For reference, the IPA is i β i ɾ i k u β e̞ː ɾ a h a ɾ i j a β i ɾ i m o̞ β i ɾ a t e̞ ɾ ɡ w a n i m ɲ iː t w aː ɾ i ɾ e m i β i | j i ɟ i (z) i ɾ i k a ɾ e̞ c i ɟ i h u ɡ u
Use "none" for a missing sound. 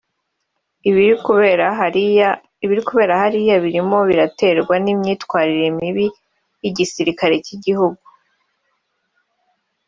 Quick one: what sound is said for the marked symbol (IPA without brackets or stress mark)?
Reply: s